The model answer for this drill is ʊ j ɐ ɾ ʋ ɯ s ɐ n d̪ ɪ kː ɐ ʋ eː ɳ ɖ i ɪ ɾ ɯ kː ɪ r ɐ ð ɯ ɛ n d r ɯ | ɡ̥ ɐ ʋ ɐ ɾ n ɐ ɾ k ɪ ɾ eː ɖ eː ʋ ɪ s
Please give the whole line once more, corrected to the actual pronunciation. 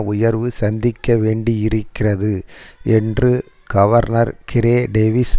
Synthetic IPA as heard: ʊ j ɐ ɾ ʋ ɯ s ɐ n d̪ ɪ kː ɐ ʋ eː ɳ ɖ i ɪ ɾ ɯ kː ɪ r ɐ ð ɯ ɛ n d r ɯ | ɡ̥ ɐ ʋ ɐ ɾ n ɐ ɾ k ɪ ɾ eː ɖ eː ʋ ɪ s